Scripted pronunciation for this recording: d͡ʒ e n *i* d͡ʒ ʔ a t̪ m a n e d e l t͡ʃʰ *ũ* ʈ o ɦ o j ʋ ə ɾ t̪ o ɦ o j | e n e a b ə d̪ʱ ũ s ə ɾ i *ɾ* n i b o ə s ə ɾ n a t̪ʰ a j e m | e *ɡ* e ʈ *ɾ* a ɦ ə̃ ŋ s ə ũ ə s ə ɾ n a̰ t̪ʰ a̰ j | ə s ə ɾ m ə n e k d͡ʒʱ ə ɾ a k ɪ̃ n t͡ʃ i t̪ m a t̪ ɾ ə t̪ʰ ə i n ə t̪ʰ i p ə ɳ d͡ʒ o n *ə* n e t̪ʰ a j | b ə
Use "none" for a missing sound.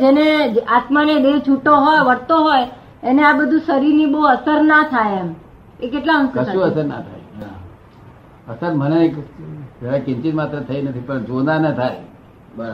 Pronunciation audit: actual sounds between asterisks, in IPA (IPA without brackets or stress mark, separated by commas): e, u, ɾ, k, l, a